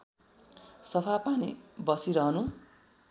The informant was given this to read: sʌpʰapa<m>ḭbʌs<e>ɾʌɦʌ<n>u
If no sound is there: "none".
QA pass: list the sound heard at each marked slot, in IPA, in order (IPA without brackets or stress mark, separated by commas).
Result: n, i, n